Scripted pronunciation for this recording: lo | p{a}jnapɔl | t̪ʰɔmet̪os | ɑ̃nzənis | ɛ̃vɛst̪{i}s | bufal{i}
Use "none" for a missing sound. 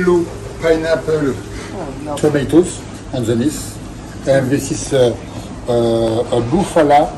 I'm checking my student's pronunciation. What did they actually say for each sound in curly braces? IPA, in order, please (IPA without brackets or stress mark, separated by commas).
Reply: a, i, a